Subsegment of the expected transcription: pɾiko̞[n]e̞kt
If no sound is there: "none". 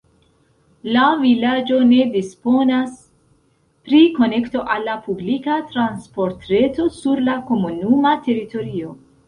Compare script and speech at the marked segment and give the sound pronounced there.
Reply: n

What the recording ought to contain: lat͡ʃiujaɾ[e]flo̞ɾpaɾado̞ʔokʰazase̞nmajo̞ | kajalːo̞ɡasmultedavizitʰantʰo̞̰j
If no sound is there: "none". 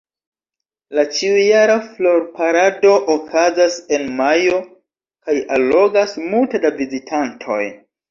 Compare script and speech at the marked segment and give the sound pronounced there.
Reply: a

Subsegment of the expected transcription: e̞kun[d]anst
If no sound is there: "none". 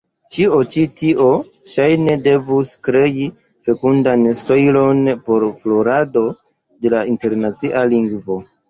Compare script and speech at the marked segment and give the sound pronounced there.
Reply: d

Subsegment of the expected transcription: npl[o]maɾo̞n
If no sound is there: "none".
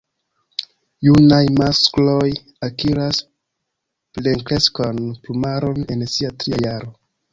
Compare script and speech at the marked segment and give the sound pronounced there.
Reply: u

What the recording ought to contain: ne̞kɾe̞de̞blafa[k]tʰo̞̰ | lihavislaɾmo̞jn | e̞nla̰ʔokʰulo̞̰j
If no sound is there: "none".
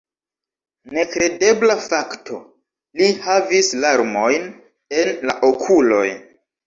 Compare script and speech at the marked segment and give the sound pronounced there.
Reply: k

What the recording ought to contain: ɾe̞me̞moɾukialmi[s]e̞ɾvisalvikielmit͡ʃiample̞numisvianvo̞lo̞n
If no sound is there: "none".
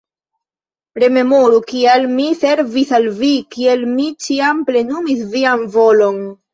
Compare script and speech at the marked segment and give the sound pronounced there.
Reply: s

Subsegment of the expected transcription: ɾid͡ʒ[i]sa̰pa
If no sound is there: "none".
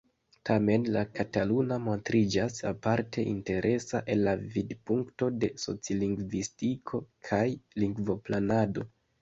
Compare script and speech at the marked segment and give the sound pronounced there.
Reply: a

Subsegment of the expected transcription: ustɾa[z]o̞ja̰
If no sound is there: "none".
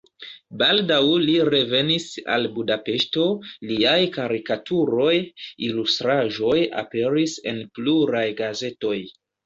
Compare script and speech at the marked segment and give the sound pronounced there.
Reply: ʒ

